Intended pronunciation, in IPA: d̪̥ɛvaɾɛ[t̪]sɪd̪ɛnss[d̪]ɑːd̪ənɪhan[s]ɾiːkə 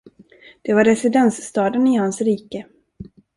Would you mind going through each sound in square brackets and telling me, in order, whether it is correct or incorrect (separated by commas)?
incorrect, incorrect, correct